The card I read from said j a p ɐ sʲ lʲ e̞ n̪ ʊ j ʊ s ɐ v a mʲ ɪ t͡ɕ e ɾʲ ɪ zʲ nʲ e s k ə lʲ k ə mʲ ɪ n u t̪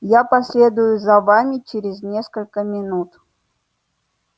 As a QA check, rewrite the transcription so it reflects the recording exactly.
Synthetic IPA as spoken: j a p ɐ sʲ lʲ e̞ d̪ ʊ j ʊ z ɐ v a mʲ ɪ t͡ɕ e ɾʲ ɪ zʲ nʲ e s k ə lʲ k ə mʲ ɪ n u t̪